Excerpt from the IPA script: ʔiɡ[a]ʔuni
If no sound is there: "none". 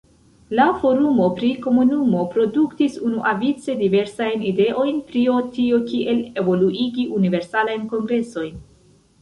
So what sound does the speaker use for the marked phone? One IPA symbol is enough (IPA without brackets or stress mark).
i